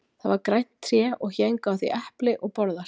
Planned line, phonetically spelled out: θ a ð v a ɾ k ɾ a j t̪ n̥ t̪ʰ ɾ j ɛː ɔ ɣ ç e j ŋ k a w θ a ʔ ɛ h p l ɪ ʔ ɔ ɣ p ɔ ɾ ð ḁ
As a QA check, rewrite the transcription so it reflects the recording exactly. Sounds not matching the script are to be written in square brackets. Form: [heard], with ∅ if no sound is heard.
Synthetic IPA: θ a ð v a ɾ k ɾ a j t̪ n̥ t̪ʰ ɾ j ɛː ɔ ɣ ç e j ŋ k a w θ [i] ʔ ɛ h p l ɪ ʔ ɔ ɣ p ɔ ɾ ð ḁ